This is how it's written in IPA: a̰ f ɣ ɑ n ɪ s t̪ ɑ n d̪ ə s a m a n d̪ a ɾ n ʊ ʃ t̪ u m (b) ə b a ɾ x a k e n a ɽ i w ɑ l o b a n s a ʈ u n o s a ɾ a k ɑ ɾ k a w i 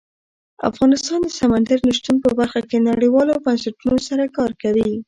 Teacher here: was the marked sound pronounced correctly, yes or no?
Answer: no